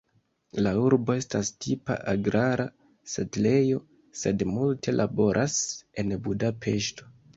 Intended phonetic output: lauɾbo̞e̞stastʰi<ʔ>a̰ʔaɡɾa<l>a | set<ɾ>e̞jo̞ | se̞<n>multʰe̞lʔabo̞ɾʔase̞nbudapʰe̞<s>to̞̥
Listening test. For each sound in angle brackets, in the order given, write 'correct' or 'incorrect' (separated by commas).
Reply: incorrect, incorrect, incorrect, incorrect, incorrect